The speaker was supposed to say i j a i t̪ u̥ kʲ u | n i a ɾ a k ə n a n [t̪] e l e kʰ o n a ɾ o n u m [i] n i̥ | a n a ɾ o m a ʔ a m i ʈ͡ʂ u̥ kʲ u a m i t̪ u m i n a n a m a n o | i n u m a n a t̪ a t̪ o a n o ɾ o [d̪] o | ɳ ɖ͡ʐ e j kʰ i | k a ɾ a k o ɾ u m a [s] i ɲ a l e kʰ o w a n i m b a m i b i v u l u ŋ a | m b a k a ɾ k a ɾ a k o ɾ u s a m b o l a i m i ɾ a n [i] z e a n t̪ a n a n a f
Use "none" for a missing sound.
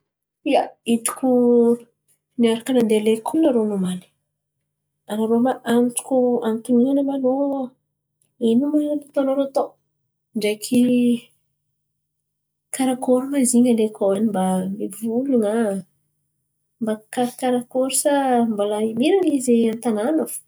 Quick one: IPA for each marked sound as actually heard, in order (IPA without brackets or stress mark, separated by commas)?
d̪, a, t̪, z, i